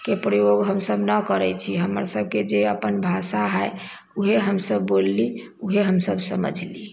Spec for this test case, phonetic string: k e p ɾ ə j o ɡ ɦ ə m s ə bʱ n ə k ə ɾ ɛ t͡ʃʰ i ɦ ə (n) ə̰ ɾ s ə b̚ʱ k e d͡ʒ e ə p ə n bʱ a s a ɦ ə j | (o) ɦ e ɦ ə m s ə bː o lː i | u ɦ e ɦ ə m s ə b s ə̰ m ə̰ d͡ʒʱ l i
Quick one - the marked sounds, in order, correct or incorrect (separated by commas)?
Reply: incorrect, incorrect